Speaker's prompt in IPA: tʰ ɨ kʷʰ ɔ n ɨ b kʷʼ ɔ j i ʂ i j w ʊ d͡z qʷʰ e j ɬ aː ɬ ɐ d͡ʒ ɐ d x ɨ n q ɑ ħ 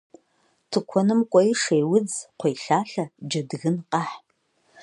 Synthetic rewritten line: tʰ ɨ kʷʰ ɔ n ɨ m kʷʼ ɔ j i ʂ e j w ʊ d͡z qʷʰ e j ɬ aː ɬ ɐ d͡ʒ ɐ d ɣ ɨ n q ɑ ħ